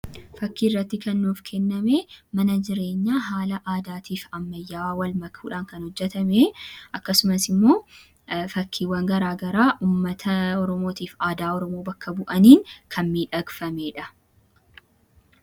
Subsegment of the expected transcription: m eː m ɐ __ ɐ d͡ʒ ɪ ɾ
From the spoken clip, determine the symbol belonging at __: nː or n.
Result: n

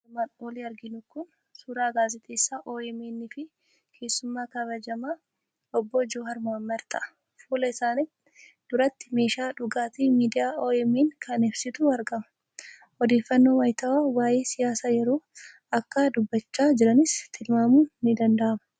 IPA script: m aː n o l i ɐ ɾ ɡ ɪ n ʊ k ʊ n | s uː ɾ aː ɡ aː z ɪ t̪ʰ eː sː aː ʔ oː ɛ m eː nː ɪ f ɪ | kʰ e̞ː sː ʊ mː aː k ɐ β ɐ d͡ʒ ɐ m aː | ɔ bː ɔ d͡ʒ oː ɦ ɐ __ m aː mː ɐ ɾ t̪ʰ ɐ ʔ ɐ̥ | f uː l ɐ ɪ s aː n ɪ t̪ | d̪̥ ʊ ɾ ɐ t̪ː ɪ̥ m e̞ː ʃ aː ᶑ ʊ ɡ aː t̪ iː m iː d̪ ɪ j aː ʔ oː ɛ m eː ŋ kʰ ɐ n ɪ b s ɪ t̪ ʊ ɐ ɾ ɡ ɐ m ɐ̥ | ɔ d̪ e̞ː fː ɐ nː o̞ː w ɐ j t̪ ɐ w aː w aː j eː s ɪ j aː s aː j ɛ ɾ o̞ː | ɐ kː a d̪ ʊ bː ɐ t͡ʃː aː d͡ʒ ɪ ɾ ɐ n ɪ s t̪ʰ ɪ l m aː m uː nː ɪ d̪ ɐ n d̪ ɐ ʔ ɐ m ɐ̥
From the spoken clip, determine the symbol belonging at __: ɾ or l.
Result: ɾ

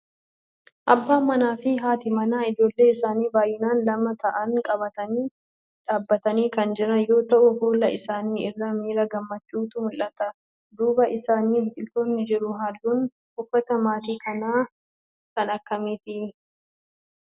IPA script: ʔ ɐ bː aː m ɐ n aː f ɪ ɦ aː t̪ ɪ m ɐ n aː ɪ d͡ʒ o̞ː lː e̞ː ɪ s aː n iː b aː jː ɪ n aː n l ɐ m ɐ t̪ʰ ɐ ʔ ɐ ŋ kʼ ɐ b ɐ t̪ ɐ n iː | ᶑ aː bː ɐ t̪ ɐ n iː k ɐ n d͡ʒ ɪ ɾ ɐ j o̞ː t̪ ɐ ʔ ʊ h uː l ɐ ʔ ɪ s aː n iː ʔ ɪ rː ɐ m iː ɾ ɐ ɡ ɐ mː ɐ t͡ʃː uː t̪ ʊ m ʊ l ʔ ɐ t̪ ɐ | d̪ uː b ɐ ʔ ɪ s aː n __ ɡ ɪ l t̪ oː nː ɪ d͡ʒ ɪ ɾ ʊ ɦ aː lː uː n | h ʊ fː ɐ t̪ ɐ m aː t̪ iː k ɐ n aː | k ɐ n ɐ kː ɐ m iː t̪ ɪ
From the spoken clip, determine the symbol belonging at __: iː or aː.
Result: iː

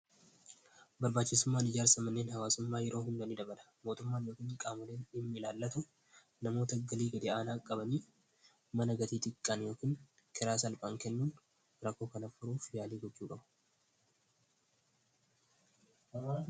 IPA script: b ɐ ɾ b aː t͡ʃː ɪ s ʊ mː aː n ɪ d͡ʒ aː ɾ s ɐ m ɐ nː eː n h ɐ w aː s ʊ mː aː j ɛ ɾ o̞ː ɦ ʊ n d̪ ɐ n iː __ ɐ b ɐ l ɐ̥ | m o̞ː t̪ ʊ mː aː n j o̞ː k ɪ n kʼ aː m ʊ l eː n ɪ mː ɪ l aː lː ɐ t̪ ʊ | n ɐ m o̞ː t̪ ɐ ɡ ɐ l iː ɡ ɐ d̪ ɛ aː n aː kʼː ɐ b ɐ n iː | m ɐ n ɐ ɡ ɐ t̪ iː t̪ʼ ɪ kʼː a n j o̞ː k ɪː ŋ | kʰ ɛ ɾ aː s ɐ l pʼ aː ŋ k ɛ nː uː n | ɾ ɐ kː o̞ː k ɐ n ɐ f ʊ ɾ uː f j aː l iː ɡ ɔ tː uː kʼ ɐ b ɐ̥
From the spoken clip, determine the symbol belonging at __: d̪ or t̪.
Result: d̪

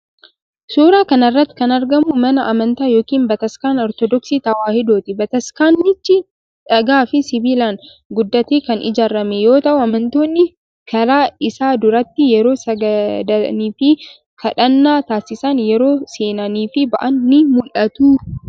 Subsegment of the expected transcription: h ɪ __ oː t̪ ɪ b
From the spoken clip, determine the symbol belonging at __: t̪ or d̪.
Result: d̪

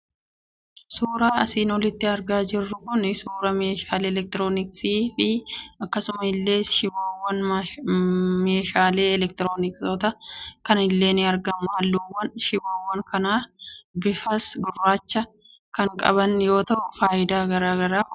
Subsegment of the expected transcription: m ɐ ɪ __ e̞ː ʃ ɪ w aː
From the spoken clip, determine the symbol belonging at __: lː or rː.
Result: lː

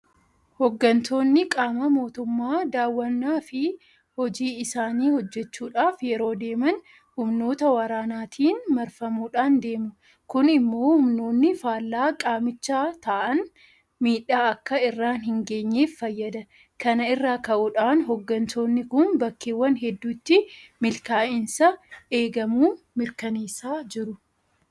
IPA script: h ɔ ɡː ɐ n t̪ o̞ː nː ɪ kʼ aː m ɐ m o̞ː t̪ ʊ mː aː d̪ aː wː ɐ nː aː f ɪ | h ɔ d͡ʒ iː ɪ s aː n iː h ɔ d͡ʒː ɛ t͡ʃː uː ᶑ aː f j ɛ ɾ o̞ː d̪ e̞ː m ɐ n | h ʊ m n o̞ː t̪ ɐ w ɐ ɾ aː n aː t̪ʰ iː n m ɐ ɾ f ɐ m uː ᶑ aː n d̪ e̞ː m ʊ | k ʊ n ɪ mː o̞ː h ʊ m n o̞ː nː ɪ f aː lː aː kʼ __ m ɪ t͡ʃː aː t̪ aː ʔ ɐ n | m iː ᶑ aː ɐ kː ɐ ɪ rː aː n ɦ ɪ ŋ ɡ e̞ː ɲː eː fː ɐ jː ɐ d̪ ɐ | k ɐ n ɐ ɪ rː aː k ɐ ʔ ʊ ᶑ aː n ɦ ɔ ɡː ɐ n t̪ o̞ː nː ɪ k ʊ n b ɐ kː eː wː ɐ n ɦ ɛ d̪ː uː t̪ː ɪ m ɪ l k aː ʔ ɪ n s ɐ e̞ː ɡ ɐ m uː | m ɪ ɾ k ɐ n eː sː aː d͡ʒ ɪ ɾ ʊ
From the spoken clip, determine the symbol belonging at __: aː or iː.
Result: aː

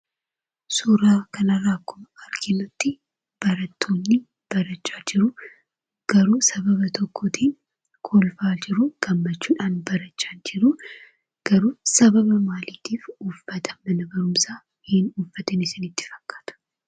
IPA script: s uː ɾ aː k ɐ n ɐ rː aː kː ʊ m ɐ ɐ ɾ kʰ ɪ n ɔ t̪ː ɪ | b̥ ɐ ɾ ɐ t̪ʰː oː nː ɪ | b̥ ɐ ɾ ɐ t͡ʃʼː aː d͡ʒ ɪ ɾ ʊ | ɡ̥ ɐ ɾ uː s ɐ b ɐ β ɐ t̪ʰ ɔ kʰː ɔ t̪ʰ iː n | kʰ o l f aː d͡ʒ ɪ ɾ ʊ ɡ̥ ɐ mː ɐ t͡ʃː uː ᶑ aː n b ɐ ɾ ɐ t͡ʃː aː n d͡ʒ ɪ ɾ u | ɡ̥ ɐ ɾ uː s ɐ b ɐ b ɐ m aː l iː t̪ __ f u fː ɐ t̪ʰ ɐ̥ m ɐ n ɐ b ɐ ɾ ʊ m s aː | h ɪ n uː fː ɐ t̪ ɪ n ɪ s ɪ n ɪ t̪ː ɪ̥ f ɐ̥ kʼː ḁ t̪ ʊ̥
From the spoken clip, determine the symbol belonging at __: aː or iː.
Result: iː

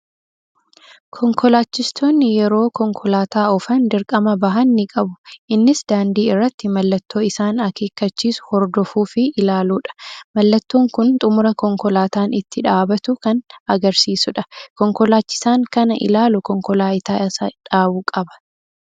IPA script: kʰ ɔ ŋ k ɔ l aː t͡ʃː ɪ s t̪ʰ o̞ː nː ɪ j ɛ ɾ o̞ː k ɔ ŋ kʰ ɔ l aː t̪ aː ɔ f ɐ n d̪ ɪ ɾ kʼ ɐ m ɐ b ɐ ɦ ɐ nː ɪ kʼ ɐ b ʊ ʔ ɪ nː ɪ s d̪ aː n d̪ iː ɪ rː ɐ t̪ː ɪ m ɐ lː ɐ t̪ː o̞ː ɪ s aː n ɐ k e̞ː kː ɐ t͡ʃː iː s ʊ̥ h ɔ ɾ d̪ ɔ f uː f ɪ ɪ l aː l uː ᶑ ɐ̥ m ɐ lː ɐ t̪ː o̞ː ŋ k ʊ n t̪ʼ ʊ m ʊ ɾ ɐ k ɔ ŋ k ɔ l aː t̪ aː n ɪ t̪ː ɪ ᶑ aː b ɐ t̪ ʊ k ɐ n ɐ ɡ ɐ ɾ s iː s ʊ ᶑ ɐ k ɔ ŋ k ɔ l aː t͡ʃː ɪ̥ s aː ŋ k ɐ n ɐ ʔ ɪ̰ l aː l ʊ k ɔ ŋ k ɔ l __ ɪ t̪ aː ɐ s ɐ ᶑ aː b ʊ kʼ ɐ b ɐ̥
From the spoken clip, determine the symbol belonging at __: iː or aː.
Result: aː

